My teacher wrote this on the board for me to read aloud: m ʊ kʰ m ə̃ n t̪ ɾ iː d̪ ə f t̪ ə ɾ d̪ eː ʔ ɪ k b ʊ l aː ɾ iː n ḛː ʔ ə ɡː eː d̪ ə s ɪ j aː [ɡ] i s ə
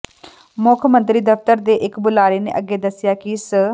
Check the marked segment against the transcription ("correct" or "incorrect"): incorrect